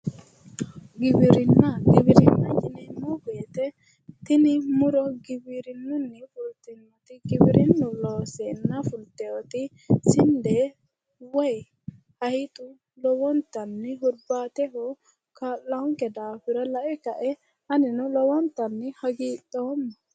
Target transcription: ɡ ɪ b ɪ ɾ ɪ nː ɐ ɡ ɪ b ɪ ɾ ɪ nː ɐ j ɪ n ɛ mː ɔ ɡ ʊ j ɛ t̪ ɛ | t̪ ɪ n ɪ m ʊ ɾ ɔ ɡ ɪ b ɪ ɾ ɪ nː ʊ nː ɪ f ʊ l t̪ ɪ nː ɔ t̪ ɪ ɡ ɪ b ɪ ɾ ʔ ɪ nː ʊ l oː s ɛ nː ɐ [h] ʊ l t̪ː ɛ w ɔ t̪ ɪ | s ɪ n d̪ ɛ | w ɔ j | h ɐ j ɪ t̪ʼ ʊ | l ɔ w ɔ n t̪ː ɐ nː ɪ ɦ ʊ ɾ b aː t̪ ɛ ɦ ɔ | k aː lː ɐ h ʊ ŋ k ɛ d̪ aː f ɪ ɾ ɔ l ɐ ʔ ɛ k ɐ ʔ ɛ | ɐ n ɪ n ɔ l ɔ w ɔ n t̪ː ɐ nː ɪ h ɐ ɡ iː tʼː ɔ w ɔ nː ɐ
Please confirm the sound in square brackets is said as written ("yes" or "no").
no